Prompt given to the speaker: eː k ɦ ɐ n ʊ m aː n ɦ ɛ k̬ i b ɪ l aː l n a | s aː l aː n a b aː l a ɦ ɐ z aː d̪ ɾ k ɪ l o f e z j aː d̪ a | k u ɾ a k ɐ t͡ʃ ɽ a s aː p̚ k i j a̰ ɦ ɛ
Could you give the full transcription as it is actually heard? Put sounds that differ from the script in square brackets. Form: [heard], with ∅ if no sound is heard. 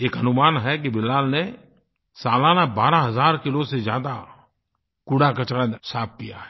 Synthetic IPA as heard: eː k ɦ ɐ n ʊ m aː n ɦ ɛ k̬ i b ɪ l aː l n [e] | s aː l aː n a b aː [ɾ] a ɦ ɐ z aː [∅] ɾ k ɪ l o [s] e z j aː d̪ a | k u [ɽ] a k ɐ t͡ʃ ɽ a s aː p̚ k i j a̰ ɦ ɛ